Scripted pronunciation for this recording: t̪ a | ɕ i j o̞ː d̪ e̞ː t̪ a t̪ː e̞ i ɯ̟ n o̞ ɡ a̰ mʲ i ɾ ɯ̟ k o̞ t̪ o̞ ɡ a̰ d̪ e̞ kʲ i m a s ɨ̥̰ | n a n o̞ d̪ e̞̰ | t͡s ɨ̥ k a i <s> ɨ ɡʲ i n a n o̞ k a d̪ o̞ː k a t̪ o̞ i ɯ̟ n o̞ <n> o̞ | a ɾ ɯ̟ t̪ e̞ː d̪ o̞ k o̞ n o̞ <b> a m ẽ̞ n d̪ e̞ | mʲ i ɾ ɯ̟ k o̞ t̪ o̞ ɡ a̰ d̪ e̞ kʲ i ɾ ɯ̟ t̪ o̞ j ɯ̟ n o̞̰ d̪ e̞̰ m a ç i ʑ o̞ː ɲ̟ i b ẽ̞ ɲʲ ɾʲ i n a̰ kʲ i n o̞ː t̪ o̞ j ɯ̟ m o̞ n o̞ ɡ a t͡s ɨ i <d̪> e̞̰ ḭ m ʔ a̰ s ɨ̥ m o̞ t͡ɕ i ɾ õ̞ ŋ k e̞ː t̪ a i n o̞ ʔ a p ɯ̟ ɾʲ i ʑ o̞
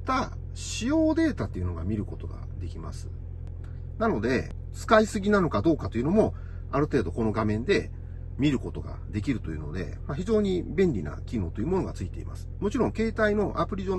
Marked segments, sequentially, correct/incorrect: correct, incorrect: m, incorrect: ɡ, incorrect: t̪

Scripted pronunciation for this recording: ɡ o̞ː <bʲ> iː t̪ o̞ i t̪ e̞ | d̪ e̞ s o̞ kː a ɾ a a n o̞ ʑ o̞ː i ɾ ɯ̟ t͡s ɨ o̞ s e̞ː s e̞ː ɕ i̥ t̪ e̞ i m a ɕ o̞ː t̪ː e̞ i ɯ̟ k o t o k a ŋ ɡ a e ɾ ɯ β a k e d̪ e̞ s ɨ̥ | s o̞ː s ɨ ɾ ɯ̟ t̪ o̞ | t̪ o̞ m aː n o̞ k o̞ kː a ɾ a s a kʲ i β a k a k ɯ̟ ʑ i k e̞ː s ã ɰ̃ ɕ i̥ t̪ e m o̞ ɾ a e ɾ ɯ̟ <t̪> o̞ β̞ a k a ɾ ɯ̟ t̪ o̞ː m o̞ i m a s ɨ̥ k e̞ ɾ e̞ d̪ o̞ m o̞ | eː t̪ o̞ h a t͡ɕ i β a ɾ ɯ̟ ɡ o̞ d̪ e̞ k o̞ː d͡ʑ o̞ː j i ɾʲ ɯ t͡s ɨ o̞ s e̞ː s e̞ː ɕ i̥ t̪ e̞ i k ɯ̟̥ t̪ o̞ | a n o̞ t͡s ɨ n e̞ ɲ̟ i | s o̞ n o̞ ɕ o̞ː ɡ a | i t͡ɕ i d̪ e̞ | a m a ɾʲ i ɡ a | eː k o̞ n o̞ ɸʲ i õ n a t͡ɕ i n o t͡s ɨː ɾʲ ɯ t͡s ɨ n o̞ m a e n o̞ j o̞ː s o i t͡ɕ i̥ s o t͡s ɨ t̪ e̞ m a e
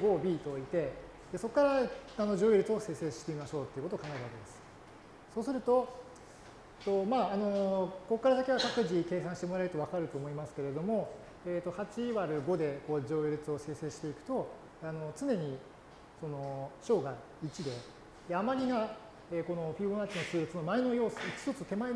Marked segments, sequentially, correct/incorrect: correct, correct

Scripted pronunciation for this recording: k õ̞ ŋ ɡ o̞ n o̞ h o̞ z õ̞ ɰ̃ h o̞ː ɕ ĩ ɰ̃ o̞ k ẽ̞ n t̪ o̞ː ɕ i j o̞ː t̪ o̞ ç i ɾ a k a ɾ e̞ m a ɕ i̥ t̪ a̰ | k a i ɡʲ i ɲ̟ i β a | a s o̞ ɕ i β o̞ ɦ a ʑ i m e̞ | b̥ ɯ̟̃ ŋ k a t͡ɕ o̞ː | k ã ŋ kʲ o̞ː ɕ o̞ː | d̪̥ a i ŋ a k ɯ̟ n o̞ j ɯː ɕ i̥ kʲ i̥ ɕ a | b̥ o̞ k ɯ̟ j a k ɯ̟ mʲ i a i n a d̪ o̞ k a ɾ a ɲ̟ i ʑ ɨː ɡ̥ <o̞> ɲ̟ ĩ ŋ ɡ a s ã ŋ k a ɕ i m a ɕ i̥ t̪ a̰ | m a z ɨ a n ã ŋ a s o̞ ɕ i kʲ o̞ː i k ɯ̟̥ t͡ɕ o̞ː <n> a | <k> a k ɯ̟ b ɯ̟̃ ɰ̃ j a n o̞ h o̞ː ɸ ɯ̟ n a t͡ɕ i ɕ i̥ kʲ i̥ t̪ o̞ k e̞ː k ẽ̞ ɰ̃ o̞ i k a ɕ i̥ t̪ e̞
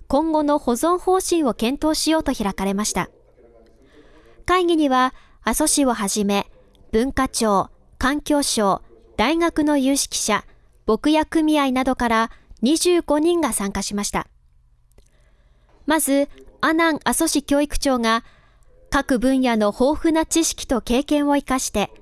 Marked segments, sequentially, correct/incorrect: correct, incorrect: ŋ, correct

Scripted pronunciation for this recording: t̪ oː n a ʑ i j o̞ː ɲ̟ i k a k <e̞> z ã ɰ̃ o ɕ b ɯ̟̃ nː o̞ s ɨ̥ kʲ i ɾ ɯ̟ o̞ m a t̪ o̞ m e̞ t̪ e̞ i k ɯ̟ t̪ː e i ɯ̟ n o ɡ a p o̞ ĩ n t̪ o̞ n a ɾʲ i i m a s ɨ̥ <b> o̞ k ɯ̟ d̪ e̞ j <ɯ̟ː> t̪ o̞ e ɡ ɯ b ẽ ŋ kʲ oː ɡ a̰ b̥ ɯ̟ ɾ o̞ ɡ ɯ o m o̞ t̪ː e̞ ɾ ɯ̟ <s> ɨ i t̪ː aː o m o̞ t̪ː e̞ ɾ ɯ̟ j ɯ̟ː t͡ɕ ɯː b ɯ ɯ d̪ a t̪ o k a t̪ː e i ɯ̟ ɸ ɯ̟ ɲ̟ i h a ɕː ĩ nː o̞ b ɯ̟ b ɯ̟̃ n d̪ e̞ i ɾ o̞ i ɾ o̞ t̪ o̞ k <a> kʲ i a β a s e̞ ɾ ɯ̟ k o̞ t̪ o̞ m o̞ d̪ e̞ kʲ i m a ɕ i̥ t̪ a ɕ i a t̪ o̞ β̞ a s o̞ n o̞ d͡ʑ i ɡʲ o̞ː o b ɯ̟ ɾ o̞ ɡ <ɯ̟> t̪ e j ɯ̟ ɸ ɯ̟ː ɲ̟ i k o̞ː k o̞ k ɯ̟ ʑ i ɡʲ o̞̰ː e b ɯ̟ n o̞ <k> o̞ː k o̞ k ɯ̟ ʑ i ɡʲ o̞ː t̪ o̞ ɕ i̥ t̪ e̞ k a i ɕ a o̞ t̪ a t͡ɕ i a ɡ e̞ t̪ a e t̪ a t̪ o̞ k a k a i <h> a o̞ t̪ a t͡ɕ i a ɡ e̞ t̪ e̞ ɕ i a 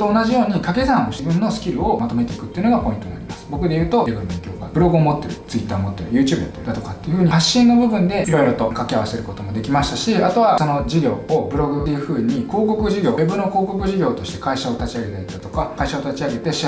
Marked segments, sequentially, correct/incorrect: correct, correct, correct, incorrect: t͡s, correct, correct, correct, incorrect: ɕ

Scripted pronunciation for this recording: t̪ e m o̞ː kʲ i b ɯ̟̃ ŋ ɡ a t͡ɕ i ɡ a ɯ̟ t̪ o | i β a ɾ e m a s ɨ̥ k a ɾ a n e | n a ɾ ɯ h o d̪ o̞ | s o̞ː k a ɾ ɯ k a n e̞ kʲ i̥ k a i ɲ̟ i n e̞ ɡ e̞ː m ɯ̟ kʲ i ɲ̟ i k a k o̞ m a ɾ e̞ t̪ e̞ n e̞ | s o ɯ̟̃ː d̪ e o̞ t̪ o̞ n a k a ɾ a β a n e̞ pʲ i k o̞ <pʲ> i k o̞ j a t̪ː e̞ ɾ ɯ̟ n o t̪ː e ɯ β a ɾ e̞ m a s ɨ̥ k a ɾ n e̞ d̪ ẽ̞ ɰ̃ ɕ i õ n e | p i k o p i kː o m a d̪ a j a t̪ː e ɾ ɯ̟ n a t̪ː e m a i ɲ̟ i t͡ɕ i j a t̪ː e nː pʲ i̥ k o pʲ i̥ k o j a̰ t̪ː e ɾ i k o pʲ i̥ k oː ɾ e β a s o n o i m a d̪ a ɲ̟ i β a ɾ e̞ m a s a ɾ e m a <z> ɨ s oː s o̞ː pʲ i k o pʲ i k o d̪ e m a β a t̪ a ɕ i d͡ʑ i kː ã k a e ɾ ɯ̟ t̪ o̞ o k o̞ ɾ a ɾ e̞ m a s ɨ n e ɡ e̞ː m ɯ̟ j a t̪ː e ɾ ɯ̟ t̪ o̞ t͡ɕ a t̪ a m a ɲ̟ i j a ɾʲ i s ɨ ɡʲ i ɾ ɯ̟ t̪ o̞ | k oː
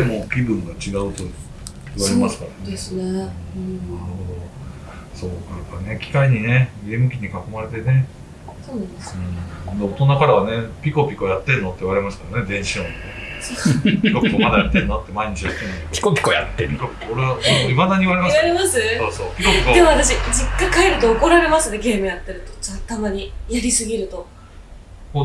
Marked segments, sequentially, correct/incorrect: correct, incorrect: s

